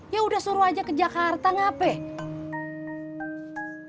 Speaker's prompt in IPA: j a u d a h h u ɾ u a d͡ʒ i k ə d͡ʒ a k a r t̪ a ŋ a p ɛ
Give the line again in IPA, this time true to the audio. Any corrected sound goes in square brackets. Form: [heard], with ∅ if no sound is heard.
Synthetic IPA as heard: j a u d a h [s] u ɾ u a d͡ʒ [a] k ə d͡ʒ a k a r t̪ a ŋ a p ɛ